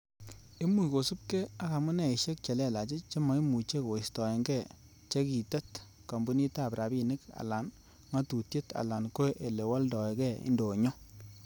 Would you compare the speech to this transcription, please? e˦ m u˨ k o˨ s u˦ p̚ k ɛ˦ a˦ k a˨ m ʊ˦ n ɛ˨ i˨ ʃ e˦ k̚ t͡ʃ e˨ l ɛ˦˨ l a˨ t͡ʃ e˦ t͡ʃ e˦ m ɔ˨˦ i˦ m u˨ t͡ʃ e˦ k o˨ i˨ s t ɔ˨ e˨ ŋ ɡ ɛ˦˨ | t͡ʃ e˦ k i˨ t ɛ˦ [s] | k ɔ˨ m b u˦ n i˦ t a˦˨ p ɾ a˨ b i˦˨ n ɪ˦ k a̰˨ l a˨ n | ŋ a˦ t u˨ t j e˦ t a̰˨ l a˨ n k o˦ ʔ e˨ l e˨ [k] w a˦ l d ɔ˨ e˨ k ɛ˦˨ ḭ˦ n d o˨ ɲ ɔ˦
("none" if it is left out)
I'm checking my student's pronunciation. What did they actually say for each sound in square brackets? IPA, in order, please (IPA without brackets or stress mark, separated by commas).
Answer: t, none